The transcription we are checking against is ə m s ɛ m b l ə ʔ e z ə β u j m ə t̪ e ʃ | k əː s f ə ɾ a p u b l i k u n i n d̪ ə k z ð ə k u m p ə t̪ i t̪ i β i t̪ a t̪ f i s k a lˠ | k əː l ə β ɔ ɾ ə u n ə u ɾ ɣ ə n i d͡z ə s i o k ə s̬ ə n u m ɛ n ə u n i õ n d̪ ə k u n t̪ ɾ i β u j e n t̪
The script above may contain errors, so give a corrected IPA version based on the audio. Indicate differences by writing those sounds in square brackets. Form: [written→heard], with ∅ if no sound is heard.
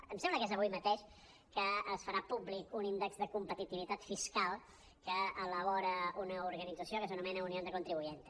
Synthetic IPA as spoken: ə m s ɛ m b l ə [ʔ→k] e z ə β u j m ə t̪ e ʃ | k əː s f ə ɾ a p u b l i k u n i n d̪ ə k z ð ə k u m p ə t̪ i t̪ i β i t̪ a t̪ f i s k a lˠ | k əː l ə β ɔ ɾ ə u n ə u ɾ ɣ ə n i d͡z ə s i o k ə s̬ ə n u m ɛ n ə u n i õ n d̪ ə k u n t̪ ɾ i β u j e n t̪

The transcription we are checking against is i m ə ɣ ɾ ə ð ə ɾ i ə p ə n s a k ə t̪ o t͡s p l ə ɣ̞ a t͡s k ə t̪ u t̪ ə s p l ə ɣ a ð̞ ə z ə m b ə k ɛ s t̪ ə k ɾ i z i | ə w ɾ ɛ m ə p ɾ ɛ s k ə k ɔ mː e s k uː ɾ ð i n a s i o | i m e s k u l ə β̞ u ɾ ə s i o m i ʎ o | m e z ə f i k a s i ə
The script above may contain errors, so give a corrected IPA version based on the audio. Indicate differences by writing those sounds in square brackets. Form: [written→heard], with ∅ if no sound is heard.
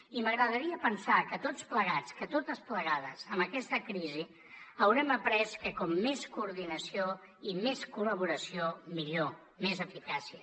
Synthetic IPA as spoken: i m ə ɣ ɾ ə ð ə ɾ i ə p ə n s a k ə t̪ o t͡s p l ə ɣ̞ a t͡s k ə t̪ [u→o] t̪ ə s p l ə ɣ a ð̞ ə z ə m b ə k ɛ s t̪ ə k ɾ i z i | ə w ɾ ɛ m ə p ɾ ɛ s k ə k ɔ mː e s k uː ɾ ð i n [a→ə] s i o | i m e s k u l ə β̞ u ɾ ə s i o m i ʎ o | m e z ə f i k a s i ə

